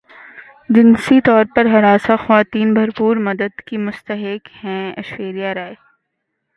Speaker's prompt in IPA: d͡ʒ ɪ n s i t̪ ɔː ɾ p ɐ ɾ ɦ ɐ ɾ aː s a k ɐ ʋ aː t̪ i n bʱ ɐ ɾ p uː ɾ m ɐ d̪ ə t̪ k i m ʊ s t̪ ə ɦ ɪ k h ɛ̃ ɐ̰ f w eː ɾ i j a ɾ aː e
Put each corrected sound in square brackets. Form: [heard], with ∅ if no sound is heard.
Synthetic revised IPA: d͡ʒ ɪ n s i t̪ ɔː ɾ p ɐ ɾ ɦ ɐ ɾ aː s a [x] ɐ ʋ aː t̪ [iː] n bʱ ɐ ɾ p uː ɾ m ɐ d̪ ə [d̪] k i m ʊ s t̪ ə ɦ ɪ k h ɛ̃ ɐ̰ [ʃ] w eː ɾ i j a ɾ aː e